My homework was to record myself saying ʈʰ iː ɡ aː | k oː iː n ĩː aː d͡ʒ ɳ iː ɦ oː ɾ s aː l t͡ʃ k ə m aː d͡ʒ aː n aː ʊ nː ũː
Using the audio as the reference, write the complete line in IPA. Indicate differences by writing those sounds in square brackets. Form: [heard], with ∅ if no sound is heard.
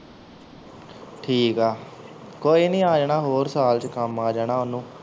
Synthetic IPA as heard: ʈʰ iː [k] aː | k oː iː n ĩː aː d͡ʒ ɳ [aː] ɦ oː ɾ s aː l t͡ʃ k ə m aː d͡ʒ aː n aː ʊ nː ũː